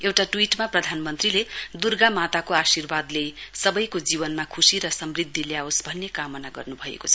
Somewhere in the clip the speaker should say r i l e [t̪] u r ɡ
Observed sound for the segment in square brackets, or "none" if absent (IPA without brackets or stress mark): d̪